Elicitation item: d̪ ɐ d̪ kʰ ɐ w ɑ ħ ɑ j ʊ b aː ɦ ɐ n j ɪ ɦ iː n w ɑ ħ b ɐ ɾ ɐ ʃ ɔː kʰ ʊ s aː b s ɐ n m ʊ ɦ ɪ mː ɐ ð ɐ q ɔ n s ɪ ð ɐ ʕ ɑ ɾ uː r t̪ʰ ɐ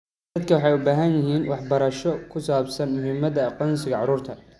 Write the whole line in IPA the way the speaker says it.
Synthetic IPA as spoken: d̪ ɐ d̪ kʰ ɐ w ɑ ħ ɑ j ʊ b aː ɦ ɐ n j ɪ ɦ iː n w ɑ ħ b ɐ ɾ ɐ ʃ ɔ kʰ ʊ s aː b s ɐ n m ʊ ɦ ɪ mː ɐ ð ɐ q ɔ n s ɪ ɣ ɐ ʕ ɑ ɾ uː r t̪ʰ ɐ